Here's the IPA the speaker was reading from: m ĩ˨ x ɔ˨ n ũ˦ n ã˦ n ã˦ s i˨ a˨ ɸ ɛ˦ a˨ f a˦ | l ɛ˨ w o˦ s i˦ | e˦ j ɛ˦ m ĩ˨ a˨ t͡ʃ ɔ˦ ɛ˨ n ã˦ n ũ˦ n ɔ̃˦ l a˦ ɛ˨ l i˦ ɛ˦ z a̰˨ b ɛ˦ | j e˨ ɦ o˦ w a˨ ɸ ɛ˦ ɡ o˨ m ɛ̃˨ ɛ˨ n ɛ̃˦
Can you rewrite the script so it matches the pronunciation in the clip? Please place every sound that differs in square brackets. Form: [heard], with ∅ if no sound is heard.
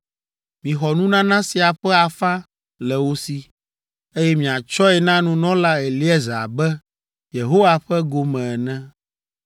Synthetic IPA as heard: m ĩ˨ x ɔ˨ n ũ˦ n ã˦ n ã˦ s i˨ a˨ ɸ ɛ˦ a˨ f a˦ | l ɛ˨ w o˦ s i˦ | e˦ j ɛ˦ m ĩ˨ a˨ t͡ʃ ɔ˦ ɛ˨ n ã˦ n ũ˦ n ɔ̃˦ l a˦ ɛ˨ l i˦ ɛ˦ z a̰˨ b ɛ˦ | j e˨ ɦ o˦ w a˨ ɸ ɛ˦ ɡ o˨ m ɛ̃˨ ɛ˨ n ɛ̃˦

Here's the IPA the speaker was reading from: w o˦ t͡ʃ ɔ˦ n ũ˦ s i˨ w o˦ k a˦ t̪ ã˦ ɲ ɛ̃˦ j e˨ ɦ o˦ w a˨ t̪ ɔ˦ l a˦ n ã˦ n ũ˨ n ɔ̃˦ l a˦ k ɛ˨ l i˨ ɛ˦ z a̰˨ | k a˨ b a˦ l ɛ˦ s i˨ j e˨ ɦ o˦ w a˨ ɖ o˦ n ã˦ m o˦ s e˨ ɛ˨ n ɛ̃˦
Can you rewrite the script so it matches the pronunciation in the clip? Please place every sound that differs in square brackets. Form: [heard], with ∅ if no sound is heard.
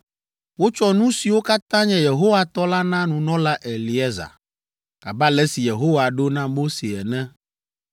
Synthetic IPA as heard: w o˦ t͡ʃ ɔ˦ n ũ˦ s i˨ w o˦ k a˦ t̪ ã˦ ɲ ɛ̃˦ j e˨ ɦ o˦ w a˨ t̪ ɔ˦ l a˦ n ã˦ n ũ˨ n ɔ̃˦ l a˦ [ʔ] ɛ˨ l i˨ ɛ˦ z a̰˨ | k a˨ b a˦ l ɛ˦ s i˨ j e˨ ɦ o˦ w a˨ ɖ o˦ n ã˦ m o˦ s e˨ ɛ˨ n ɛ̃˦

